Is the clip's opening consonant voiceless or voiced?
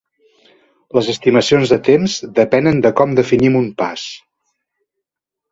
voiced